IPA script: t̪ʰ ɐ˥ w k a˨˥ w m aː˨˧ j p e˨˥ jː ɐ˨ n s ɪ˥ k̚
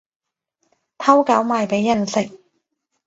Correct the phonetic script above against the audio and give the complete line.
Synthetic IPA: t̪ʰ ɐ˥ w k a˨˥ w m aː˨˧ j p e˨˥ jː ɐ˨ n s ɪ˨ k̚